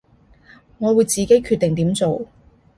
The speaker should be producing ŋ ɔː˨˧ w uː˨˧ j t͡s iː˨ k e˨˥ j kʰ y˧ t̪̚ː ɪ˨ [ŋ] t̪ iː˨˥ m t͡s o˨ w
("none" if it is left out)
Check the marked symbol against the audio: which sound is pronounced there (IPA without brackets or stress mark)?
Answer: ŋ